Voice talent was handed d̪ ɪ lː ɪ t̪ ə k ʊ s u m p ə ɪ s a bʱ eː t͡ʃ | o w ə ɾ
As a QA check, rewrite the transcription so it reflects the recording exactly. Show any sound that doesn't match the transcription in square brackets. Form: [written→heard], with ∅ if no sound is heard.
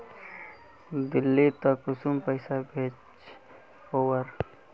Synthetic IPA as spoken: d̪ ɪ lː [ɪ→i] t̪ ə k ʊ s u m p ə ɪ s a bʱ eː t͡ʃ | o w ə ɾ